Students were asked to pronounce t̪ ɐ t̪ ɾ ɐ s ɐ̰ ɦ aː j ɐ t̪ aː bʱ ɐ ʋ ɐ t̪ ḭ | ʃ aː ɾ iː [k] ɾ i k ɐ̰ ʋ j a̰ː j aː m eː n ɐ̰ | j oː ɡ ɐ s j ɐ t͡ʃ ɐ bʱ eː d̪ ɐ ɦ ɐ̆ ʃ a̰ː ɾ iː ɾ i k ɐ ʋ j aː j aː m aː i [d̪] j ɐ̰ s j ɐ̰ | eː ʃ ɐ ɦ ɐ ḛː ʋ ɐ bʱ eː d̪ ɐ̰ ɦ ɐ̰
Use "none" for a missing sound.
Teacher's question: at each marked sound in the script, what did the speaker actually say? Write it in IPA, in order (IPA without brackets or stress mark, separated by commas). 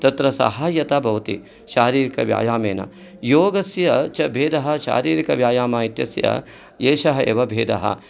none, t̪